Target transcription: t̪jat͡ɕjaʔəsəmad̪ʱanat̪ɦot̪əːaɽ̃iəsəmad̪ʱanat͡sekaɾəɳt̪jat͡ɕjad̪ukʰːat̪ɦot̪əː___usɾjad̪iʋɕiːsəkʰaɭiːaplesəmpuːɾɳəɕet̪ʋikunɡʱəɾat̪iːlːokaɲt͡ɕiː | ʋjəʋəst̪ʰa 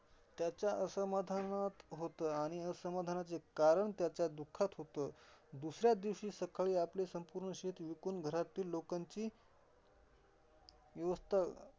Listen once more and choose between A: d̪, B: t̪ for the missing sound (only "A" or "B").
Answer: A